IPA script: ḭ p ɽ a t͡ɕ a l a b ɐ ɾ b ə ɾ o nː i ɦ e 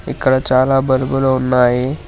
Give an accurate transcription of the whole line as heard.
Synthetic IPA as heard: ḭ k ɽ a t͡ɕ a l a b ə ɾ b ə l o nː a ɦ e

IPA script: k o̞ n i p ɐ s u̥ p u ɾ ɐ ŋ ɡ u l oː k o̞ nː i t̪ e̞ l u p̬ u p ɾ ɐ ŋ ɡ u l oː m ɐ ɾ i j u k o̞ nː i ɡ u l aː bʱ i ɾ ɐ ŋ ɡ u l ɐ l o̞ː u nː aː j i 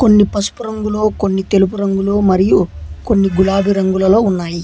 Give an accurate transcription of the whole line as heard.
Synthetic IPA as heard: k o̞ nː i p ɐ s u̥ p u ɾ ɐ ŋ ɡ u l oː k o̞ nː i t̪ e̞ l u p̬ u ɾ ɐ ŋ ɡ u l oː m ɐ ɾ i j u k o̞ nː i ɡ u l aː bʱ i ɾ ɐ ŋ ɡ u l ɐ l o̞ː u nː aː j i

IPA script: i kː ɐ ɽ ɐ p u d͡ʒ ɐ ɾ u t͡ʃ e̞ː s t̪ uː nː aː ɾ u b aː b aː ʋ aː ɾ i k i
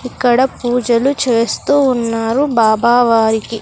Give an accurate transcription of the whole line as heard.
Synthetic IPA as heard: i kː ɐ ɽ ɐ p uː d͡ʒ ɐ l u t͡ʃ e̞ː s t̪ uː nː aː ɾ u b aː b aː ʋ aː ɾ i k i

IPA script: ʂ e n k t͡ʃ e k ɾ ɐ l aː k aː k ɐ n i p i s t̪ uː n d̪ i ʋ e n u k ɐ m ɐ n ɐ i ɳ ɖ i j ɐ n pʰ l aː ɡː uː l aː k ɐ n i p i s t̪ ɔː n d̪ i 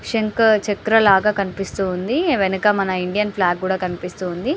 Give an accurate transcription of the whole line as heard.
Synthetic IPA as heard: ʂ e ŋ k t͡ʃ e k ɾ ɐ l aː ɡ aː k ɐ n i p i s t̪ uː n d̪ i ʋ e n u k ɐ m ɐ n ɐ i ɳ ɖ i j ɐ n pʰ l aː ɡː uː ɽ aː k ɐ n i p i s t̪ uː n d̪ i

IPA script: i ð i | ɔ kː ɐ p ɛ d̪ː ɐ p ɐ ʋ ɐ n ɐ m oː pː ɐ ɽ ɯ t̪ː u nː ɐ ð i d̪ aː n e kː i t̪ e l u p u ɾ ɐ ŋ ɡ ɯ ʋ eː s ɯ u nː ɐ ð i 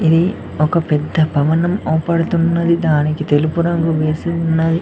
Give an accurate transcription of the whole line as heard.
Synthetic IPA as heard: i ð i | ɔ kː ɐ p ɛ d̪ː ɐ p ɐ ʋ ɐ n ɐ m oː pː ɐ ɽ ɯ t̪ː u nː ɐ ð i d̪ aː n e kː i t̪ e l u p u ɾ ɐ ŋ ɡ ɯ ʋ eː s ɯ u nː ɐ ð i

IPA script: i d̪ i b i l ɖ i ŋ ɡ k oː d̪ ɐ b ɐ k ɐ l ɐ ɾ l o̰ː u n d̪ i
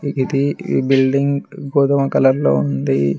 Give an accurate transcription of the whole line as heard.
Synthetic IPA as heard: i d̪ i b i l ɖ i ŋ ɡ ɡ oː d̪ ɐ m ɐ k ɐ l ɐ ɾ l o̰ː u n d̪ i

